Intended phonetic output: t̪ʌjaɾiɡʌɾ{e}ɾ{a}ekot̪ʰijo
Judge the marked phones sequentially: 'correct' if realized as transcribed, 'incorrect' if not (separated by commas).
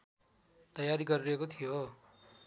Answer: incorrect, incorrect